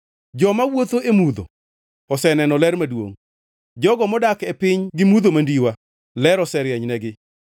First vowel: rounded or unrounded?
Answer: rounded